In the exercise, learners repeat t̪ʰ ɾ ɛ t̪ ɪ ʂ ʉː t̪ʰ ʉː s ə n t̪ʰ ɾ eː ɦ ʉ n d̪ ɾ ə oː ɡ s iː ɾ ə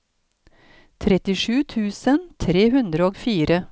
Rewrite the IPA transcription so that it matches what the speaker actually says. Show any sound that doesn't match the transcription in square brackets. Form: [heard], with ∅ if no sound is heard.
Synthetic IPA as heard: t̪ʰ ɾ ɛ t̪ ɪ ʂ ʉː t̪ʰ ʉː s ə n t̪ʰ ɾ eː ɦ ʉ n d̪ ɾ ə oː ɡ [f] iː ɾ ə